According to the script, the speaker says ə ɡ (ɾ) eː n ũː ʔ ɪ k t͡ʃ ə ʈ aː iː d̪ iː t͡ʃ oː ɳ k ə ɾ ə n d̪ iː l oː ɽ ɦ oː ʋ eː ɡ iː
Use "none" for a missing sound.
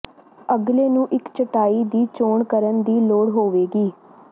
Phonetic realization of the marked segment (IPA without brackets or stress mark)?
l